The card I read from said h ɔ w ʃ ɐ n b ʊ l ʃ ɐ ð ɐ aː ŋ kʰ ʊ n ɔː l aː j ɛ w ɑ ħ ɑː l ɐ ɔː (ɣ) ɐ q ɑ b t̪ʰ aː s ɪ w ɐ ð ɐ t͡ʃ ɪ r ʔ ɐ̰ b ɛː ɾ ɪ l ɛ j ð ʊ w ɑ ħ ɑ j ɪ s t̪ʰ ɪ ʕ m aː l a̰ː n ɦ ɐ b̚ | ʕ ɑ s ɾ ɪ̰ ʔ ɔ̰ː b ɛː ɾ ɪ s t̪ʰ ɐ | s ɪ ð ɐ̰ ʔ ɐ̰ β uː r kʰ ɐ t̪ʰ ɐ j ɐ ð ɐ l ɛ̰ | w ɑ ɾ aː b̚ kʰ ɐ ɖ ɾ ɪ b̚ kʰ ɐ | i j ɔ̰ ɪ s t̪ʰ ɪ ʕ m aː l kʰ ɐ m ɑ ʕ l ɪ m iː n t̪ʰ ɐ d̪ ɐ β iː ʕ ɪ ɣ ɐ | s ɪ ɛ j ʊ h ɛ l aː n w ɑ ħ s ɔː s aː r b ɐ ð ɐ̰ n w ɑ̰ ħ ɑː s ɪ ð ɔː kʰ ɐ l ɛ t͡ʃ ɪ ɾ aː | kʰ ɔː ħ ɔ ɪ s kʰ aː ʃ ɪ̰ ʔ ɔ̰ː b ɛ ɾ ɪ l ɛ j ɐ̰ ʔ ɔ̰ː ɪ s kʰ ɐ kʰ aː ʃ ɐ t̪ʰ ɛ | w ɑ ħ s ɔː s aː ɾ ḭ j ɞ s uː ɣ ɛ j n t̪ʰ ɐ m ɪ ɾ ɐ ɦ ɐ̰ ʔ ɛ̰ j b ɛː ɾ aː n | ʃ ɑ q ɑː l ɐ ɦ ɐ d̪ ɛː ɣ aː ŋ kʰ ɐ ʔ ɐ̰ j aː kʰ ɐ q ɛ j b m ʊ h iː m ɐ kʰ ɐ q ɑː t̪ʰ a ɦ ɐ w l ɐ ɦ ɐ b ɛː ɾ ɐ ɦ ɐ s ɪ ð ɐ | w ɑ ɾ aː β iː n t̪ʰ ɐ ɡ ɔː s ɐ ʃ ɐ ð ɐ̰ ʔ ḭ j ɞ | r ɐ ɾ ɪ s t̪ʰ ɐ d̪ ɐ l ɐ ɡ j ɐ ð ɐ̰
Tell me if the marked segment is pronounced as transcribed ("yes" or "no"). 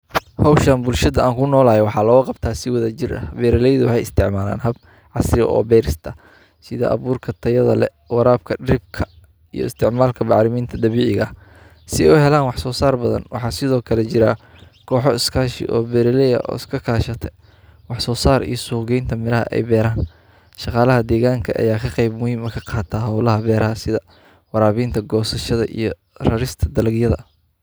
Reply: yes